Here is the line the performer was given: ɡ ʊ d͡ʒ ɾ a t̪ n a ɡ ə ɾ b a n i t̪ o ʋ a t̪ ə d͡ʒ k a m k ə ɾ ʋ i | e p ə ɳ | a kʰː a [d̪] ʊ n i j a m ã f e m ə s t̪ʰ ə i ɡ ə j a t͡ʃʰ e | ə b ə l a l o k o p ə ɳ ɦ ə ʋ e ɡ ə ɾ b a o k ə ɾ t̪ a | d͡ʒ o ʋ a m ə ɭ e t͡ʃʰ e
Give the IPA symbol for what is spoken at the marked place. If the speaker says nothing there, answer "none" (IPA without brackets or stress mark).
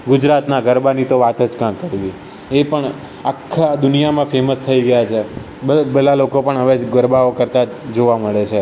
d̪